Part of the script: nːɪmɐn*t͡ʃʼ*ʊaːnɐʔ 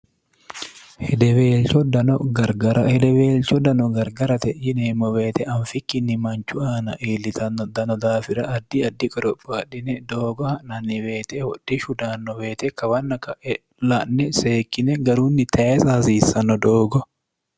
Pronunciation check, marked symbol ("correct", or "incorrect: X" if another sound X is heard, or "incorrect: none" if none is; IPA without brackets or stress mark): incorrect: t͡ʃ